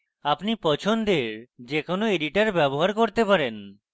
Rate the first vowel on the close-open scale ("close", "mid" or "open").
open